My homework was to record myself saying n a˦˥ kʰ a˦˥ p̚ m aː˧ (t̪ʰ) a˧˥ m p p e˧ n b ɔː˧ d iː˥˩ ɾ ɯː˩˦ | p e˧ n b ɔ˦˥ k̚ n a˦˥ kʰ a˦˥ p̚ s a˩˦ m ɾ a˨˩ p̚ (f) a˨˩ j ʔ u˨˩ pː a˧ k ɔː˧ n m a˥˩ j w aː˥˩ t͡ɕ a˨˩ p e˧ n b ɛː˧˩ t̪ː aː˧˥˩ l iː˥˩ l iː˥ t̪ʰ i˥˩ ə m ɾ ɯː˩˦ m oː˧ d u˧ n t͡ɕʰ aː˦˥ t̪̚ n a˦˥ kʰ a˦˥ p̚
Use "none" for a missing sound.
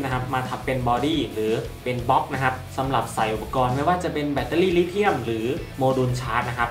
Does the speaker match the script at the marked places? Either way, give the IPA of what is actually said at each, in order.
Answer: t̪ʰ, s

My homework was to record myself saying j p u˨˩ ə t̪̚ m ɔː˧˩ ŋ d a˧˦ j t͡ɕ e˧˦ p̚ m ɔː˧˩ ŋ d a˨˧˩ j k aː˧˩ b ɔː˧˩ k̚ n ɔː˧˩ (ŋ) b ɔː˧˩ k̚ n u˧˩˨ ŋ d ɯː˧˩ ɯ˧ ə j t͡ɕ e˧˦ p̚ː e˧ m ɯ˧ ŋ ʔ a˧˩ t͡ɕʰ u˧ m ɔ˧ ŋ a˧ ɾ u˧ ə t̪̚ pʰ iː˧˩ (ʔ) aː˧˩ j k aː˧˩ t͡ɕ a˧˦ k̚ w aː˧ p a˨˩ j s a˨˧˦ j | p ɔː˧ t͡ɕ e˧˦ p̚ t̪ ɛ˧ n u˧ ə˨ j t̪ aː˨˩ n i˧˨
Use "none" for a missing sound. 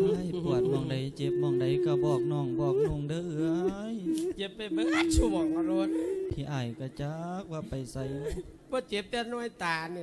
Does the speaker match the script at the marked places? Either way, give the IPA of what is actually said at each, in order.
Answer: ŋ, ʔ

